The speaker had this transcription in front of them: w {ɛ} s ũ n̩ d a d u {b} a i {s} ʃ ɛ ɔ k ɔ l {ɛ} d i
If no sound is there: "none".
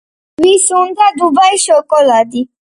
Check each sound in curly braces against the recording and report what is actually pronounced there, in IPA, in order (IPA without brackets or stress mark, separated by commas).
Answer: i, b, none, a